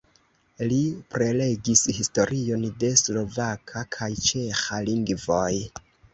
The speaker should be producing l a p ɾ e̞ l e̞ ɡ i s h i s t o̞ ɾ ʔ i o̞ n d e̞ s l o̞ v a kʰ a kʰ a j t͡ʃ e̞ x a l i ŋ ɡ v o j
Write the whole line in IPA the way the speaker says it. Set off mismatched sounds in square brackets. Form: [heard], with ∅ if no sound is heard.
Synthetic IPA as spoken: l [i] p ɾ e̞ l e̞ ɡ i s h i s t o̞ ɾ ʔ i o̞ n d e̞ s l o̞ v a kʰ a kʰ a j t͡ʃ e̞ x a l i ŋ ɡ v o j